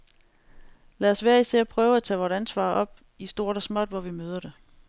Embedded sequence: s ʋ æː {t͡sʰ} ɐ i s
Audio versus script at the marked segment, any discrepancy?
yes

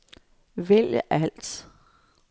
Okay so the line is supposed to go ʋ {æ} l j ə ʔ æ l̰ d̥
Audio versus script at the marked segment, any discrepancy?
yes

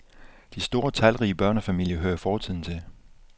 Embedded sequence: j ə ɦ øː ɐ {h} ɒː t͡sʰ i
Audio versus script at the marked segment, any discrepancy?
yes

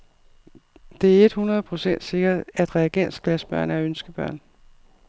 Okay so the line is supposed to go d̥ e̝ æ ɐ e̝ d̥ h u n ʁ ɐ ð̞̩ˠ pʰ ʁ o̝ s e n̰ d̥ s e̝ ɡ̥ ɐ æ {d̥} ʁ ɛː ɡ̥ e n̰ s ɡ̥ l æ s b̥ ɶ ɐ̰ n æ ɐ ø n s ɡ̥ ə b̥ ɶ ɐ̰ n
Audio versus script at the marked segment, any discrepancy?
no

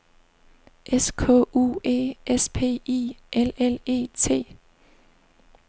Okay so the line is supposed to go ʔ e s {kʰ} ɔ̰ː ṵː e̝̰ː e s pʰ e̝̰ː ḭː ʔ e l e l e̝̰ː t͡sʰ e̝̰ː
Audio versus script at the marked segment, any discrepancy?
no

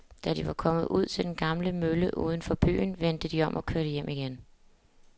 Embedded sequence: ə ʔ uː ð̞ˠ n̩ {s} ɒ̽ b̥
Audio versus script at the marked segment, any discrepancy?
yes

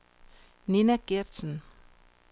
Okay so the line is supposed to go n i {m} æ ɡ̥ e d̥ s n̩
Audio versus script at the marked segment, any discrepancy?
yes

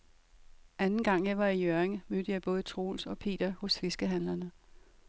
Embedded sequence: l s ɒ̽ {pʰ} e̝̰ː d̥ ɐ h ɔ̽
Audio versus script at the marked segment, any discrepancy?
no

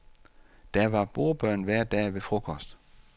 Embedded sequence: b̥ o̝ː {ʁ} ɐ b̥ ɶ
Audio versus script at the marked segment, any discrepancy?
yes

